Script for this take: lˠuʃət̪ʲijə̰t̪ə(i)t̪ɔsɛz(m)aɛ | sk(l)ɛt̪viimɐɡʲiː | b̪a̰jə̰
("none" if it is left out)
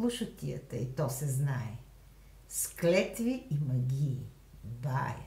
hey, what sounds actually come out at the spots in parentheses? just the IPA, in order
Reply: i, n, l

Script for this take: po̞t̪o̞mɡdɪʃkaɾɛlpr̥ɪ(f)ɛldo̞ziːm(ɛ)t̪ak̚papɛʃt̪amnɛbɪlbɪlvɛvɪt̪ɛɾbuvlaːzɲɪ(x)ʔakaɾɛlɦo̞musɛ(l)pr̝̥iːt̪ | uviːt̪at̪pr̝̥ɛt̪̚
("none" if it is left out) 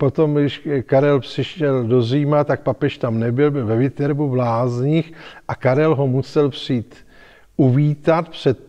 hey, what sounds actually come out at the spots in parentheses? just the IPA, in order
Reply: ʃ, a, x, l

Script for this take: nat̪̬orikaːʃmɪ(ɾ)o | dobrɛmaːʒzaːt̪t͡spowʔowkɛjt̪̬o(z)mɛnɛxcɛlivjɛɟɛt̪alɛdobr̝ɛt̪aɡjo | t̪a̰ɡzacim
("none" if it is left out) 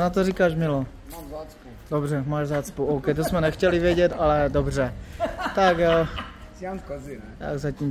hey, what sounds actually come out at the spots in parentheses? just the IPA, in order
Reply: l, s

